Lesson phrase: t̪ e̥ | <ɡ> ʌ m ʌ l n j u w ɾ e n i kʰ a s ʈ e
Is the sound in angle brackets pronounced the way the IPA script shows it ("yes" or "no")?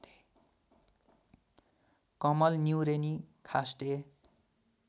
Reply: no